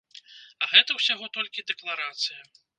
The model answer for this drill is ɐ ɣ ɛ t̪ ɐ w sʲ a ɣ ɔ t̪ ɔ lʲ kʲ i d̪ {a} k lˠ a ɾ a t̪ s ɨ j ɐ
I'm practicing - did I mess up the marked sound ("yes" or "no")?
yes